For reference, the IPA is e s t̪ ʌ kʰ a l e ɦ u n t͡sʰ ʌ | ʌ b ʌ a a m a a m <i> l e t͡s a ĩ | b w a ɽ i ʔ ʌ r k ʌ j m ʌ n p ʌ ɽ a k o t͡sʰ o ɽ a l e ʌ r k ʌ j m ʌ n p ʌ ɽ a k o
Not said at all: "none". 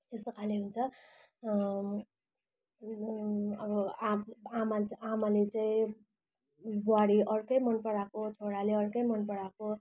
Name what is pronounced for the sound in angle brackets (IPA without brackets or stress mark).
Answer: a